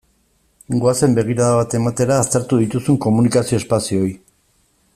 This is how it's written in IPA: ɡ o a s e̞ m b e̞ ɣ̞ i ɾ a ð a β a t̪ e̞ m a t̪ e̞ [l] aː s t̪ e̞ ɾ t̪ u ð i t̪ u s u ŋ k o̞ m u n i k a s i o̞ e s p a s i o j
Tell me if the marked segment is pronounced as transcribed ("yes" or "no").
no